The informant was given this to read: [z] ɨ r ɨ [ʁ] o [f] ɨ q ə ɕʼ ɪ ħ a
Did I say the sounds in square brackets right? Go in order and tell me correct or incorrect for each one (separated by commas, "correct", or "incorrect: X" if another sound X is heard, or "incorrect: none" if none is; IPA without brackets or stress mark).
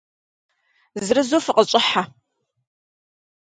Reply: correct, incorrect: z, correct